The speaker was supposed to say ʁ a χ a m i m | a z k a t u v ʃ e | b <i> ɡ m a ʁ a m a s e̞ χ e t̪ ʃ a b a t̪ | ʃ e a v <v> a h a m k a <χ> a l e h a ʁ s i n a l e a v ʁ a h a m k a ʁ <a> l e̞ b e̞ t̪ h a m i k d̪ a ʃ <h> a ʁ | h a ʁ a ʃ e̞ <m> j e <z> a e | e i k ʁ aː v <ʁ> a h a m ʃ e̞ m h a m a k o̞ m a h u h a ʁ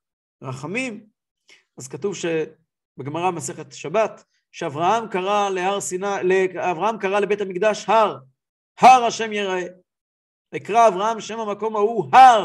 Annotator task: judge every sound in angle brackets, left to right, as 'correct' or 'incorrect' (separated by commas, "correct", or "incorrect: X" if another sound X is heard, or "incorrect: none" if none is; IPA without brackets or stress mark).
incorrect: e, incorrect: ʁ, incorrect: ʁ, correct, correct, correct, incorrect: ʁ, correct